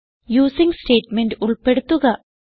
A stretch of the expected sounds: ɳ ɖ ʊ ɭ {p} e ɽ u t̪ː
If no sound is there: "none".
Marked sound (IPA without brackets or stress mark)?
p